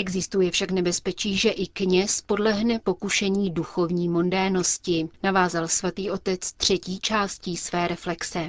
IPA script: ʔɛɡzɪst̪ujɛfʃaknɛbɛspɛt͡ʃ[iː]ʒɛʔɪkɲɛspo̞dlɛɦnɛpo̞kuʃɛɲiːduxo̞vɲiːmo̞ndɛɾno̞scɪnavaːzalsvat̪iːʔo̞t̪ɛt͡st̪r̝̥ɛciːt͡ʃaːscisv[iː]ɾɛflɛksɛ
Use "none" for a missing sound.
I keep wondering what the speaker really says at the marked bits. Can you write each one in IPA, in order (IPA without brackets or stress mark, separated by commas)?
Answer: iː, ɛː